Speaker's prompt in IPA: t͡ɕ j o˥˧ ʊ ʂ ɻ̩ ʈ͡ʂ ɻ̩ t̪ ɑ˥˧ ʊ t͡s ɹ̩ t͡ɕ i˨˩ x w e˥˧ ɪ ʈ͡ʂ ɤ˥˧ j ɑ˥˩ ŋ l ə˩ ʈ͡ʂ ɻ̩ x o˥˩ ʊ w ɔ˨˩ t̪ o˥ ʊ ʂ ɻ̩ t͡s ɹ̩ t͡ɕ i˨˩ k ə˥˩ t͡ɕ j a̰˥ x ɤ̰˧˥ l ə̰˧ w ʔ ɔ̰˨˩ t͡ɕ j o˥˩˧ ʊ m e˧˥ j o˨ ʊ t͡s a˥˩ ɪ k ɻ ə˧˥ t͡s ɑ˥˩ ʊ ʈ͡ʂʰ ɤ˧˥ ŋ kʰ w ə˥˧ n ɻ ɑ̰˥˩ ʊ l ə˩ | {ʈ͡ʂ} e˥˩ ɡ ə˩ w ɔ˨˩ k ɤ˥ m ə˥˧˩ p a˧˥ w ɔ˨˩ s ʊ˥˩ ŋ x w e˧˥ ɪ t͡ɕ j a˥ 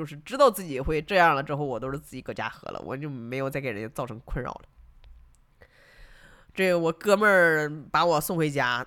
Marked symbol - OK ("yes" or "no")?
yes